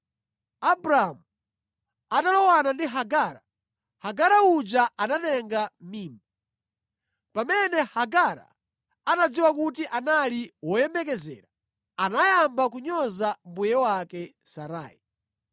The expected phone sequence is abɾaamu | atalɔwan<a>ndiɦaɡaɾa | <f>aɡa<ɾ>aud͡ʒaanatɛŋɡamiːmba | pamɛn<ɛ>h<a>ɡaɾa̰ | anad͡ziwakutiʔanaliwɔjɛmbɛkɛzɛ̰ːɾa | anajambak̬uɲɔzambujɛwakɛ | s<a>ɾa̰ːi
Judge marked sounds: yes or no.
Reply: yes, no, yes, yes, yes, yes

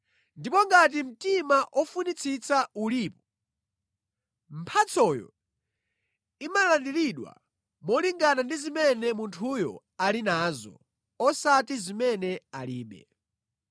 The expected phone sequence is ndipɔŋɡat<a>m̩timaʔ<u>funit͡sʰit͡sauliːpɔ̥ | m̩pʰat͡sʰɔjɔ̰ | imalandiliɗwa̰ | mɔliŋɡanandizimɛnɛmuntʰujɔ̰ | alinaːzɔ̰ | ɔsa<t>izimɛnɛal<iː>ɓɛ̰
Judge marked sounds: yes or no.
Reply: no, no, yes, yes

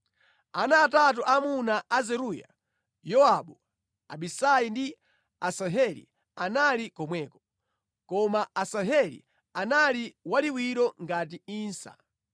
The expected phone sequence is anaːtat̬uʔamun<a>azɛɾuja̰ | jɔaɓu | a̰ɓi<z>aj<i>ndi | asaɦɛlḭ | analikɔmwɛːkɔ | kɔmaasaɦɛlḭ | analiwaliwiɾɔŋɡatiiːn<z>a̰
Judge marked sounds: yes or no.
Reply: yes, no, yes, no

